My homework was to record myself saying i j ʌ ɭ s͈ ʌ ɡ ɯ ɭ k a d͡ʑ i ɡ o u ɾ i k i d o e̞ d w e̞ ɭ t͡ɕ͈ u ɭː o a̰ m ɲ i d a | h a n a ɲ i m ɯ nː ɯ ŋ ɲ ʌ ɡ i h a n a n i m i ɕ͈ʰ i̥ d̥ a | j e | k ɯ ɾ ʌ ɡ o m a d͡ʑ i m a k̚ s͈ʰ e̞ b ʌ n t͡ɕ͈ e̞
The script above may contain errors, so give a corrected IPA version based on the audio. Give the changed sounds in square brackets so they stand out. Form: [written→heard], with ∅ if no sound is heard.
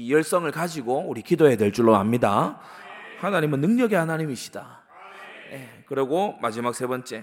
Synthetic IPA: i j ʌ ɭ s͈ ʌ [ɡ→ŋ] ɯ ɭ k a d͡ʑ i ɡ o u ɾ i k i d o e̞ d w e̞ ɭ t͡ɕ͈ u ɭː o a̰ m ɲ i d a | h a n a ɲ i m ɯ nː ɯ ŋ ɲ ʌ ɡ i h a n a [n→ɲ] i m i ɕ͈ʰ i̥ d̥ a | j e | k ɯ ɾ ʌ ɡ o m a d͡ʑ i m a k̚ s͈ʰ e̞ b ʌ n t͡ɕ͈ e̞